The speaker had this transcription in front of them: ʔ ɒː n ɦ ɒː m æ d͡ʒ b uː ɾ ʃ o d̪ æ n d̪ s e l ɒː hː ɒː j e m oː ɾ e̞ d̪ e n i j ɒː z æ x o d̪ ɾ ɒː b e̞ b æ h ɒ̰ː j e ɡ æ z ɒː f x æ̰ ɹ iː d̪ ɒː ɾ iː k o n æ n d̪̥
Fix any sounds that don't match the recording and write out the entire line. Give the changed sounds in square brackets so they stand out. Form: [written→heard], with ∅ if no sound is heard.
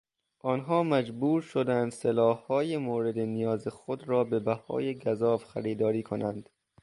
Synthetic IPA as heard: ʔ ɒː n ɦ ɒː m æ d͡ʒ b uː ɾ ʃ o d̪ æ n d̪ s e l ɒː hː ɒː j e m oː ɾ e̞ d̪ e n i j ɒː z [æ→e] x o d̪ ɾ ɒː b e̞ b æ h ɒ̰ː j e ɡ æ z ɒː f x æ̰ [ɹ→ɾ] iː d̪ ɒː ɾ iː [k→kʰ] o n æ n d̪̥